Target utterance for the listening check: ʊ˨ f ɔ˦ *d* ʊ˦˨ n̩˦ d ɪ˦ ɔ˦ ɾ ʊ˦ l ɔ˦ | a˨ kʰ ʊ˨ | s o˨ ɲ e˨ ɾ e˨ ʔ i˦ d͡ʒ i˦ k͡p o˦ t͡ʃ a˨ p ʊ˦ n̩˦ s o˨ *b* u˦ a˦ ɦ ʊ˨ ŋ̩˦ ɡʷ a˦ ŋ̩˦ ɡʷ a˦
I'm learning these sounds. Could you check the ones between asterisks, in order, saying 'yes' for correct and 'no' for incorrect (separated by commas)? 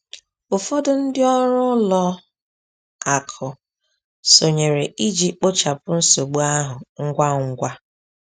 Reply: yes, no